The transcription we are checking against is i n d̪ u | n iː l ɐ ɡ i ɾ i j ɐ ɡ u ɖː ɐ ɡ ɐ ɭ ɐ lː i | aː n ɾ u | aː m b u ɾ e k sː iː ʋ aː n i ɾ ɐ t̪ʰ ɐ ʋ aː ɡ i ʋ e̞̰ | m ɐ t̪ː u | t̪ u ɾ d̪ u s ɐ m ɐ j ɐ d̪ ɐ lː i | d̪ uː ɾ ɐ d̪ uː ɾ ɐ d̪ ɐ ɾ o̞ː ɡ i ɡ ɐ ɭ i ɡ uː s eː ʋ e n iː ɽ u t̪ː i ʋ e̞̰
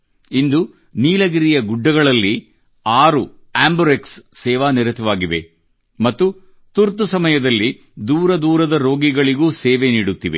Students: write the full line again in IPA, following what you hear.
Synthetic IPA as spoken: i n d̪ u | n iː l ɐ ɡ i ɾ i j ɐ ɡ u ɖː ɐ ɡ ɐ ɭ ɐ lː i | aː ɾ u | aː m b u ɾ e k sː ɛː ʋ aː n i ɾ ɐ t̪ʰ ɐ ʋ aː ɡ i ʋ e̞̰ | m ɐ t̪ː u | t̪ u ɾ t̪ u s ɐ m ɐ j ɐ d̪ ɐ lː i | d̪ uː ɾ ɐ d̪ uː ɾ ɐ d̪ ɐ ɾ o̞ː ɡ i ɡ ɐ ɭ i ɡ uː s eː ʋ e n iː ɽ u t̪ː i ʋ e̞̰